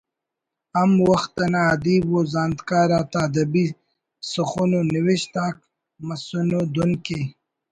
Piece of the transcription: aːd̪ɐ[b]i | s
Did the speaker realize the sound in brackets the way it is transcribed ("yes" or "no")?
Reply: yes